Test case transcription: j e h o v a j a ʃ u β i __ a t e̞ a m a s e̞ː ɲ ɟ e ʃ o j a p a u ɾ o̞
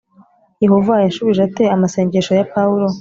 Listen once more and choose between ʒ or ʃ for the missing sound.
ʒ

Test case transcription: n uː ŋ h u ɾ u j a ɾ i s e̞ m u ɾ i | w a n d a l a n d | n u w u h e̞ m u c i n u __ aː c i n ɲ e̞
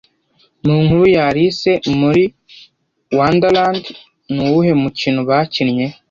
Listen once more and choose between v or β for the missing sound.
β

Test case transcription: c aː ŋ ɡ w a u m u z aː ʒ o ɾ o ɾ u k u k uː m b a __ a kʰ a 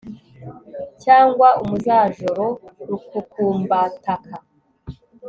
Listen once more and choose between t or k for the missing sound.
t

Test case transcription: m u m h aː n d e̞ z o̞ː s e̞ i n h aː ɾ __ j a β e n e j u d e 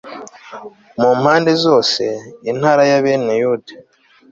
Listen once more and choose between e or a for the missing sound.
a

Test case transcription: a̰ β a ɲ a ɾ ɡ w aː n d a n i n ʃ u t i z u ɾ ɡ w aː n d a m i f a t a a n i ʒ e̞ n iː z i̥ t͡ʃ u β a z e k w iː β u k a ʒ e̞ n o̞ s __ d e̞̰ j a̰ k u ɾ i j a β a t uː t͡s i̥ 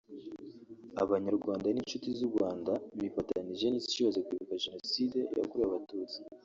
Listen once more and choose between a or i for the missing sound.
i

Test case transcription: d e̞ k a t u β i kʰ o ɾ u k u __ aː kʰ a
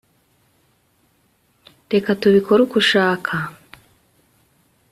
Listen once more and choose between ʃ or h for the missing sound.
ʃ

